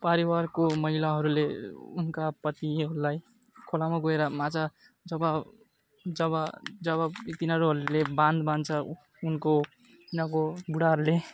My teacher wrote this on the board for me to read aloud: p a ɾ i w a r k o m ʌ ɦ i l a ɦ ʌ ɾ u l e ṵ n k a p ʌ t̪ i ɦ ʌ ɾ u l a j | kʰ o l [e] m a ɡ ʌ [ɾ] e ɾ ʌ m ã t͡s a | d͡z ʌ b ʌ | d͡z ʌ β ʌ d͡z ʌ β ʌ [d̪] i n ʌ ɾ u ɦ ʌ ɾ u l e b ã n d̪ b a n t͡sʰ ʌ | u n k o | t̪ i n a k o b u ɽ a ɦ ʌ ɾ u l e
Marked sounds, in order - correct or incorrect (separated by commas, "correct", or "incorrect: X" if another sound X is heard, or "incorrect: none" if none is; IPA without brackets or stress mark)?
incorrect: a, incorrect: none, incorrect: t̪